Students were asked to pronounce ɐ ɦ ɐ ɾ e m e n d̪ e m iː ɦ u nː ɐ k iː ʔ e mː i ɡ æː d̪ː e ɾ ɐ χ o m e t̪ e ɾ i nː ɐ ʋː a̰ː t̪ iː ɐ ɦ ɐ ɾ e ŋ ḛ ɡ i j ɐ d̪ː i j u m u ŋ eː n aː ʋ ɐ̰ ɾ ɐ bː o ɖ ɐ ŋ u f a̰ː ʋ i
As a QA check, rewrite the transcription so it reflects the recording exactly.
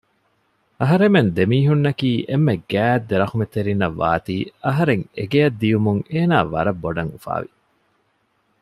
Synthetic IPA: ɐ ɦ ɐ ɾ e m e n d̪ e m iː ɦ u nː ɐ k iː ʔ e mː e ɡ æː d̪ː e ɾ ɐ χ u m e t̪ e ɾ i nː ɐ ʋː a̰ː t̪ iː ɐ ɦ ɐ ɾ e ŋ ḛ ɡ e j ɐ d̪ː i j u m u ŋ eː n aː ʋ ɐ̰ ɾ ɐ bː o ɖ ɐ ŋ u f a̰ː ʋ i